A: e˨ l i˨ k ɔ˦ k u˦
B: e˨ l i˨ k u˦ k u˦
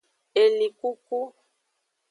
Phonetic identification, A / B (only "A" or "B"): B